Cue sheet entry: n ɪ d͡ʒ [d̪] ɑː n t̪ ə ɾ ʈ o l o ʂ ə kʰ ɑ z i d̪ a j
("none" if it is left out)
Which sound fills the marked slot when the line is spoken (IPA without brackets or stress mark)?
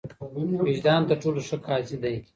d̪